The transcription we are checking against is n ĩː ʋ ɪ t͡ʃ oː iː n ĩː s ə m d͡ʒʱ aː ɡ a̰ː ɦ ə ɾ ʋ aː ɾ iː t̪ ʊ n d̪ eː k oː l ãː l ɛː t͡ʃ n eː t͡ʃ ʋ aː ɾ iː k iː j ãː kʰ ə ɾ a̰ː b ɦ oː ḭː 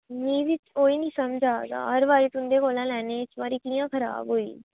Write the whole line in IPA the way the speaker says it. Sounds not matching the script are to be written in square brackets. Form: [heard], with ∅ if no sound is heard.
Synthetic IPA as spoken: n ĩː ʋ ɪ t͡ʃ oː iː n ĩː s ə m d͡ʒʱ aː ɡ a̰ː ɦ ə ɾ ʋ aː ɾ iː t̪ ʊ n d̪ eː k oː l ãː l ɛː [∅] n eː t͡ʃ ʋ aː ɾ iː k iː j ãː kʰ ə ɾ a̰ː b ɦ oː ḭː